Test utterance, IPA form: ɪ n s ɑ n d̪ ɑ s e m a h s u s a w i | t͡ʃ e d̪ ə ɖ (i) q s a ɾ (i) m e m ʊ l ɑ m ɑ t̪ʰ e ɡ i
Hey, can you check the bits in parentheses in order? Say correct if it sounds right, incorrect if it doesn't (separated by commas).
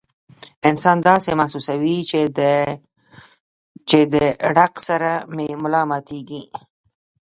incorrect, incorrect